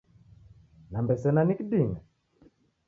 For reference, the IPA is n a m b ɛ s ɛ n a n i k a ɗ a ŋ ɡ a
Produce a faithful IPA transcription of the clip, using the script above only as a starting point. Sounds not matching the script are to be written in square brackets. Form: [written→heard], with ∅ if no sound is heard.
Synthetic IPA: n a m b ɛ s ɛ n a n i k [a→i] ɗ [a→i] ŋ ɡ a